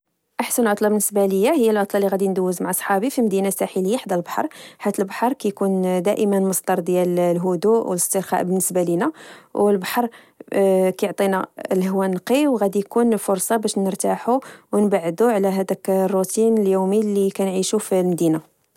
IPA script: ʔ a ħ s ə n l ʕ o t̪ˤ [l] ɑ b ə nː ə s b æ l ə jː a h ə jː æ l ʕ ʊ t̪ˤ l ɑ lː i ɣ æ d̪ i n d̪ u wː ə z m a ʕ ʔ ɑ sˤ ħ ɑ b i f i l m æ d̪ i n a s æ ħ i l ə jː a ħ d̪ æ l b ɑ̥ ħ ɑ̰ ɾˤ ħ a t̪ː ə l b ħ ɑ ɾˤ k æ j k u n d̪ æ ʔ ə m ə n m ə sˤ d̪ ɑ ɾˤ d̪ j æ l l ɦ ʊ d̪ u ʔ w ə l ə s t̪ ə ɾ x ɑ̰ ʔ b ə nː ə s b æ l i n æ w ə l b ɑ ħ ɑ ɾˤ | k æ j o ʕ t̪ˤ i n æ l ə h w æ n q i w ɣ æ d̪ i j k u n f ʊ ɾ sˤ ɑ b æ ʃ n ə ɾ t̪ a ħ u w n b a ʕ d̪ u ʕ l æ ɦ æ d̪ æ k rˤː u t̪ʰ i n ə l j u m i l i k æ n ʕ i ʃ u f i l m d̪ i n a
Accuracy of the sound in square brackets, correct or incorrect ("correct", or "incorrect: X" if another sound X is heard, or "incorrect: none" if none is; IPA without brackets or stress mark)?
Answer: correct